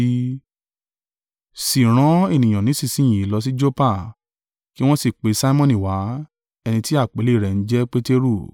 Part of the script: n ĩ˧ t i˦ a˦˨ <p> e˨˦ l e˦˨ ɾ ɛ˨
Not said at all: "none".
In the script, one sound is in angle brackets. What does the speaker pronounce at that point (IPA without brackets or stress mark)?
k͡p